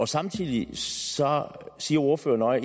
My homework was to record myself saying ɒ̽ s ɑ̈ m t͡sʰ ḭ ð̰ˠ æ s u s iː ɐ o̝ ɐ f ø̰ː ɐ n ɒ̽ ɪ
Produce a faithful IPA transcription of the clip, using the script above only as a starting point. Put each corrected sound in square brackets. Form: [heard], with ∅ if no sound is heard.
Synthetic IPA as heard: ɒ̽ s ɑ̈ m t͡sʰ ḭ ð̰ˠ [i] s [ɒ] s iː ɐ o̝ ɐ f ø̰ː ɐ n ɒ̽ ɪ